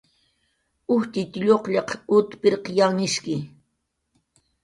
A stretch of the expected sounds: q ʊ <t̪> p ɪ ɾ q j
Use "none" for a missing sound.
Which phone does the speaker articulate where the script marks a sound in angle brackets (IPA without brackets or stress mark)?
t̪